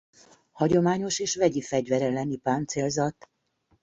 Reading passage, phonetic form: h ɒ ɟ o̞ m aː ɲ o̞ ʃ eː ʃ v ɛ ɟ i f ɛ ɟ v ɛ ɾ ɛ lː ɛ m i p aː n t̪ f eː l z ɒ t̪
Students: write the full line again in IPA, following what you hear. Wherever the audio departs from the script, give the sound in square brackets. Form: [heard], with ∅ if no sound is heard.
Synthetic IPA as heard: h ɒ ɟ o̞ m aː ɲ o̞ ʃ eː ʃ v ɛ ɟ i f ɛ ɟ v ɛ ɾ ɛ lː ɛ [n] i p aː n t̪ [s] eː l z ɒ t̪